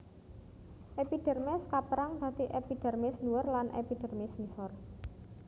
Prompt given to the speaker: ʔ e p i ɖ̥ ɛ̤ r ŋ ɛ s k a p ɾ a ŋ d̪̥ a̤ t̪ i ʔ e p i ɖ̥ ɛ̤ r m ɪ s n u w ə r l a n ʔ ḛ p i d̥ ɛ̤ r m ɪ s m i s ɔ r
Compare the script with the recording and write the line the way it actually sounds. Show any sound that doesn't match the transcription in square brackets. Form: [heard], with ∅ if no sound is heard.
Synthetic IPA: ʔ e p i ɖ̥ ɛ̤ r [m] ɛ s k a p ɾ a ŋ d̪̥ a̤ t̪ i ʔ e p i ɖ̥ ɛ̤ r m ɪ s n u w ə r l a n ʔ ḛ p i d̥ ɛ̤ r m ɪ s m i s ɔ r

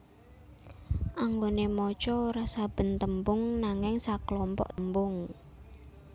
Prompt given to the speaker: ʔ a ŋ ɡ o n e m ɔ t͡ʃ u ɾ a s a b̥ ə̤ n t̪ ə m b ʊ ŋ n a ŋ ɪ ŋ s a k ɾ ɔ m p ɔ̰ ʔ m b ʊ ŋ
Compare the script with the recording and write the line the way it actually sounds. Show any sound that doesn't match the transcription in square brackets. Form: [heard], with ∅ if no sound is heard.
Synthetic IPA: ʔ a ŋ ɡ o n e m ɔ t͡ʃ [ɔ] ɾ a s a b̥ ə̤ n t̪ ə m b ʊ ŋ n a ŋ ɪ ŋ s a k [l] ɔ m p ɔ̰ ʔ m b ʊ ŋ

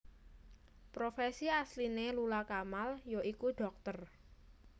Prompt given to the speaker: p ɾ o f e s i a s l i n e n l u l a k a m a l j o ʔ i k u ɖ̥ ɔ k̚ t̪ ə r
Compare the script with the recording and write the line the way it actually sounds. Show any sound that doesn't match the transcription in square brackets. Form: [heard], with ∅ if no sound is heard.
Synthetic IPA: p ɾ o f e s i a s l i n e [∅] l u l a k a m a l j o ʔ i k u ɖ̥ ɔ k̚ t̪ ə r

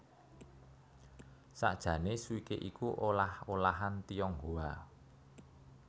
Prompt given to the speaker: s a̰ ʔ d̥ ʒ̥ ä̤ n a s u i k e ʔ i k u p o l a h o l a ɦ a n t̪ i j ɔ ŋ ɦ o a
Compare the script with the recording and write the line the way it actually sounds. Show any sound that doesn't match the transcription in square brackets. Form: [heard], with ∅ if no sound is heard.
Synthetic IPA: s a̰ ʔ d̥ ʒ̥ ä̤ n [e] s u i k e ʔ i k u [ʔ] o l a h o l a ɦ a n t̪ i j ɔ ŋ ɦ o a

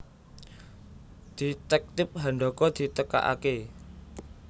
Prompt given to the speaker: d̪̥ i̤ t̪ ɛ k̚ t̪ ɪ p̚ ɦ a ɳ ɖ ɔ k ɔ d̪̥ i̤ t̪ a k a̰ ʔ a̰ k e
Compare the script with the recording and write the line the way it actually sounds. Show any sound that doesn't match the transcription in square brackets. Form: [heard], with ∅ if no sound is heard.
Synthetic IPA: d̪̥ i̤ t̪ ɛ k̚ t̪ ɪ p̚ ɦ a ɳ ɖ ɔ k ɔ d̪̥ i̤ t̪ [ə] k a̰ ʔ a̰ k e

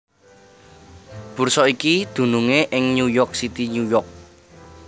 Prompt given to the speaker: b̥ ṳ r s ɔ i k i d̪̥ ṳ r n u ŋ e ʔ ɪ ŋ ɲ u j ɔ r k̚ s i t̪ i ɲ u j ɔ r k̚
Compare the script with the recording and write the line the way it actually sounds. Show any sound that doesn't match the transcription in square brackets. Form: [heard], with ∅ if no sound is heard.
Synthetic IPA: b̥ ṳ r s ɔ i k i d̪̥ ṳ [∅] n u ŋ e ʔ ɪ ŋ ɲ u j ɔ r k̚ s i t̪ i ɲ u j ɔ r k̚

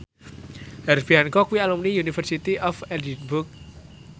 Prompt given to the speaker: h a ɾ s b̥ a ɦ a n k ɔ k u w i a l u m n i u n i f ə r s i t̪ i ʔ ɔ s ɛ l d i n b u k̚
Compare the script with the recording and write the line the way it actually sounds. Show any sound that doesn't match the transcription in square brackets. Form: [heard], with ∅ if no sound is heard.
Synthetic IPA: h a ɾ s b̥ [i] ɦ a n k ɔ k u w i a l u m n i u n i f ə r s i t̪ i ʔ ɔ [f] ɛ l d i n b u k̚

